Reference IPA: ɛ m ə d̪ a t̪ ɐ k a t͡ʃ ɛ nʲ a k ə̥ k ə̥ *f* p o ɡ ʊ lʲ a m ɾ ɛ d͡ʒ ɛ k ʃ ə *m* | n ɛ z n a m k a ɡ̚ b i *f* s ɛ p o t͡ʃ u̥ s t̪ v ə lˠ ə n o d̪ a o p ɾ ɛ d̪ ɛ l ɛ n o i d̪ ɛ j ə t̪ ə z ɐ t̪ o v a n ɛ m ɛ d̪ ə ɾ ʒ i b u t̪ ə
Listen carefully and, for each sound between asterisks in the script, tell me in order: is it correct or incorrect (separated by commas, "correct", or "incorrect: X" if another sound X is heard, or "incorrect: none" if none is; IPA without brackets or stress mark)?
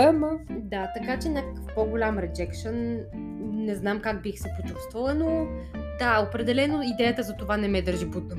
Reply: correct, incorrect: n, incorrect: x